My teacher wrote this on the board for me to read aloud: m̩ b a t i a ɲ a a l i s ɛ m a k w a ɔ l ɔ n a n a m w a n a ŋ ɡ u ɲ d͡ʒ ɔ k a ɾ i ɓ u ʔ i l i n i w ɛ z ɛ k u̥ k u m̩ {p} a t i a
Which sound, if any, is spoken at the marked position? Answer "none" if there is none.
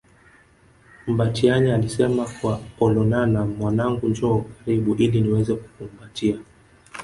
b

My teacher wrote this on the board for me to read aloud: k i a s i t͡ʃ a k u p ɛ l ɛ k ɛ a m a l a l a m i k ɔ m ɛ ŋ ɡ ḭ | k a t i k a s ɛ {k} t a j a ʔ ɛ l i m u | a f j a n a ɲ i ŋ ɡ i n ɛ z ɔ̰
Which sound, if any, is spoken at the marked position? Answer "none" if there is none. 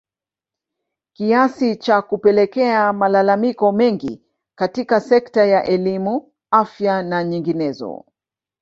k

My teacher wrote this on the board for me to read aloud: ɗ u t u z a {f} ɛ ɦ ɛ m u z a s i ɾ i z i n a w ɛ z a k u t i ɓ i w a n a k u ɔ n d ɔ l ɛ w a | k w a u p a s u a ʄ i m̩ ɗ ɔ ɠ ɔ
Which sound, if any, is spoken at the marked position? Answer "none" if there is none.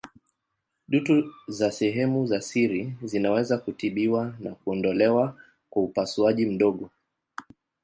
s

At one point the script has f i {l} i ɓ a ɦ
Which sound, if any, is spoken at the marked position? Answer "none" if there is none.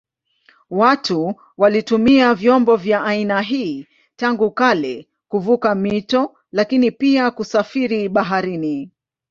ɾ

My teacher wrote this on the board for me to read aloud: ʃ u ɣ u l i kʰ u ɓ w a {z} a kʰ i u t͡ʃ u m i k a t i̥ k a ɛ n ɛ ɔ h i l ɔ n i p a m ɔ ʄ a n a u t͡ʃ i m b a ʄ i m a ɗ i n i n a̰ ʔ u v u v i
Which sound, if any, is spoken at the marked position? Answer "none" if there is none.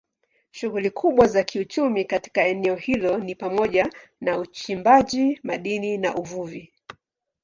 z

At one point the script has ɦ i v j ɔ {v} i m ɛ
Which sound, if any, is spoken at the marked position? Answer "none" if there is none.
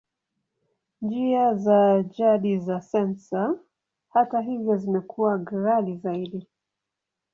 z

